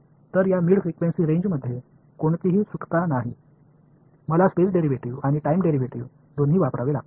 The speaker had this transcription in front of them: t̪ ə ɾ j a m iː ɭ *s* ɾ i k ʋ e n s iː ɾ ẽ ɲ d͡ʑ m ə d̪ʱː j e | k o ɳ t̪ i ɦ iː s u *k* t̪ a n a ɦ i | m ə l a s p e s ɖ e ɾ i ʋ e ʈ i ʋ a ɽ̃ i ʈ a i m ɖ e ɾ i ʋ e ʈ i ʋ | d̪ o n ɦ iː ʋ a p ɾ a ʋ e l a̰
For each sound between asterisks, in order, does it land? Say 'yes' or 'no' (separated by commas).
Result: no, yes